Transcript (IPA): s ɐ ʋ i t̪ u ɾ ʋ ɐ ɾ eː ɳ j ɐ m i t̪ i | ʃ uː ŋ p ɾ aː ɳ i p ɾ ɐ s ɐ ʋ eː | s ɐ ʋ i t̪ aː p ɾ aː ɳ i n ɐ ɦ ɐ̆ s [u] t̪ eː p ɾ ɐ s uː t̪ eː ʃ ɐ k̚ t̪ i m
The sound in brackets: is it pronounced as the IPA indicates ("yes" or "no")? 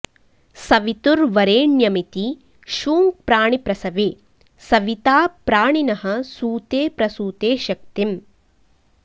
no